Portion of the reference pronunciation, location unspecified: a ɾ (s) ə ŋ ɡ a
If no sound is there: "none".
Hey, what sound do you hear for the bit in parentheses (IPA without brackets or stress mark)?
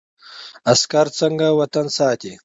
t͡s